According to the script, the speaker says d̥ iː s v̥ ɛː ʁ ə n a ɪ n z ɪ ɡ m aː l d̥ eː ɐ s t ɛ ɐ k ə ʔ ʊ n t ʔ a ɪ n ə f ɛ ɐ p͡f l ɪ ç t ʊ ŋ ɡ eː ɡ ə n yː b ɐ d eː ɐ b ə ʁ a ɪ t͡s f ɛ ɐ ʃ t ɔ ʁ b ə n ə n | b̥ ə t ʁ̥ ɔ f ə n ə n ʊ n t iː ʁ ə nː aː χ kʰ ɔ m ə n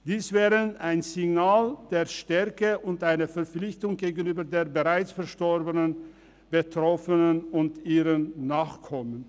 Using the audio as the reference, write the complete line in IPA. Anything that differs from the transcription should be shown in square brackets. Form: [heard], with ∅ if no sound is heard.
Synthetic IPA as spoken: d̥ iː s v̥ ɛː ʁ ə n a ɪ n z ɪ ɡ [n] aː l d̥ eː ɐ [ʃ] t ɛ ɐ k ə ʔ ʊ n t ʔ a ɪ n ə f ɛ ɐ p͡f l ɪ ç t ʊ ŋ ɡ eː ɡ ə n yː b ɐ d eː ɐ b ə ʁ a ɪ t͡s f ɛ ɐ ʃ t ɔ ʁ b ə n ə n | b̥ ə t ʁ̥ ɔ f ə n ə n ʊ n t iː ʁ ə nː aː χ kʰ ɔ m ə n